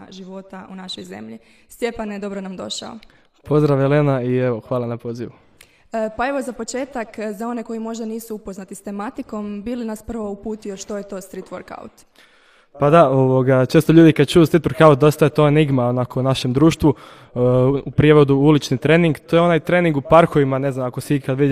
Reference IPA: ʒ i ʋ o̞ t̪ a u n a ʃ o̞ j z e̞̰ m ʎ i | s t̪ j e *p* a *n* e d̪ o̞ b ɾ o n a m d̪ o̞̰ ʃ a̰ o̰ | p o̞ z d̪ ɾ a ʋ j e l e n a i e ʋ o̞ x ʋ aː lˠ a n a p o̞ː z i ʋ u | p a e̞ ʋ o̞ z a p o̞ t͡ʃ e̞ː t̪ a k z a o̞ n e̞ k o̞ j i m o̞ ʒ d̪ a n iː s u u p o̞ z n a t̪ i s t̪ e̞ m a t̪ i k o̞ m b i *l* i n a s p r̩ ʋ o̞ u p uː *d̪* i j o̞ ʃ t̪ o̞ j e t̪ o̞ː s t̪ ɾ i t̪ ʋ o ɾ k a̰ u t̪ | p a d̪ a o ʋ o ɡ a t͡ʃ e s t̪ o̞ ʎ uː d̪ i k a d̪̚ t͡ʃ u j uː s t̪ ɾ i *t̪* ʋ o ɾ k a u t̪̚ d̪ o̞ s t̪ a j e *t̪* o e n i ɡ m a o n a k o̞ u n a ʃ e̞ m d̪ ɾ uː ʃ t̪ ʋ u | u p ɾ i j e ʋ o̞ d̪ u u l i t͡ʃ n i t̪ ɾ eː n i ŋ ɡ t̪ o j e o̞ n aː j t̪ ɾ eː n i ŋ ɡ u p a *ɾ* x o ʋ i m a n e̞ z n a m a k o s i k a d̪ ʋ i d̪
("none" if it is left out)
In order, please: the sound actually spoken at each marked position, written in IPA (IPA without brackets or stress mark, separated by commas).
p, n, l, t̪, t̪, t̪, ɾ